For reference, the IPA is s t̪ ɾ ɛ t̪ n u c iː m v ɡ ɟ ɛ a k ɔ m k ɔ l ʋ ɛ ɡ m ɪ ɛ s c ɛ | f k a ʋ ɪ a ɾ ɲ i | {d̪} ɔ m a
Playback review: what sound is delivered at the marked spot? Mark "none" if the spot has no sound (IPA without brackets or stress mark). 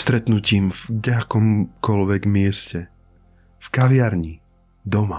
d̪